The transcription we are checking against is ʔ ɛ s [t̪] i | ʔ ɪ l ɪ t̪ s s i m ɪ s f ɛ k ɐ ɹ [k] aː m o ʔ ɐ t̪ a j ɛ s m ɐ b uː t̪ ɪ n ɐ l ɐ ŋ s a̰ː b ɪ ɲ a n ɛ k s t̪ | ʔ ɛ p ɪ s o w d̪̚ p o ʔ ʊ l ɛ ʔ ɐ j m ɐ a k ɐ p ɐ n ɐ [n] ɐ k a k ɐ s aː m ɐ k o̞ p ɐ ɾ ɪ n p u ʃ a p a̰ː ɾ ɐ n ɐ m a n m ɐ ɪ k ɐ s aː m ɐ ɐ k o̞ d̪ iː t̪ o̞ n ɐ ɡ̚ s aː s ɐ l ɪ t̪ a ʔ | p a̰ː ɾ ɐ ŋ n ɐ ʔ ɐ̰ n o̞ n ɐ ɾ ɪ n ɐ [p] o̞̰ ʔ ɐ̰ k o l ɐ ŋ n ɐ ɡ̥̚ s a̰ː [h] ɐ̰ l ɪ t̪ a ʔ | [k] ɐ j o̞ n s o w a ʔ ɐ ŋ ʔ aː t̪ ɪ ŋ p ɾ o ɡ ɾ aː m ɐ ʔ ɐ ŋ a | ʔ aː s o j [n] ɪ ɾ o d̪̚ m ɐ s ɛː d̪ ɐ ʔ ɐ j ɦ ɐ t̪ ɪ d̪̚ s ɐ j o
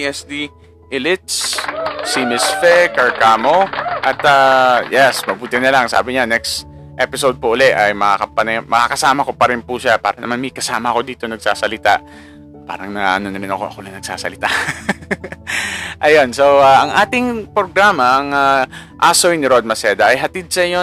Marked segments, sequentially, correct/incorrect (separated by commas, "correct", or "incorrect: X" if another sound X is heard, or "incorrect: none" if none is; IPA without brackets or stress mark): incorrect: d̪, correct, incorrect: m, incorrect: k, incorrect: s, incorrect: ʔ, correct